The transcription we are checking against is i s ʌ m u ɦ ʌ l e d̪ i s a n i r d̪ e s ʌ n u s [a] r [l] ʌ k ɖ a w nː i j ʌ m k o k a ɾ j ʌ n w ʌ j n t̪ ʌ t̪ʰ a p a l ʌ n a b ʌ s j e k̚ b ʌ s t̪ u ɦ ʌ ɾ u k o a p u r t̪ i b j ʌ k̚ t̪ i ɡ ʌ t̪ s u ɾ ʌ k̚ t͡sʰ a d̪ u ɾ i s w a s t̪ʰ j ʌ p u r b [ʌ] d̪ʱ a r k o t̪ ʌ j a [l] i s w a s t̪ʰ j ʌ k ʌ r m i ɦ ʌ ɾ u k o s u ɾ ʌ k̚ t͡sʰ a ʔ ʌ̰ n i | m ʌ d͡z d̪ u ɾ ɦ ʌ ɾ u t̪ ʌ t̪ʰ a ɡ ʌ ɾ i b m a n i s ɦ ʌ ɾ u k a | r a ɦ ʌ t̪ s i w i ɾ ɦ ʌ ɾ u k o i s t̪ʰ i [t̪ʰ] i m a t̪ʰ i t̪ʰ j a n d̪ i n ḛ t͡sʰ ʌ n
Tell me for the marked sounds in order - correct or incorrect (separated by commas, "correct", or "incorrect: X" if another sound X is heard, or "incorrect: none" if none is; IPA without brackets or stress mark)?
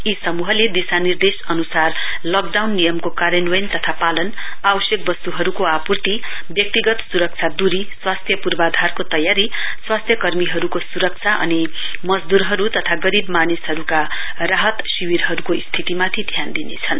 correct, correct, incorrect: a, incorrect: ɾ, incorrect: t̪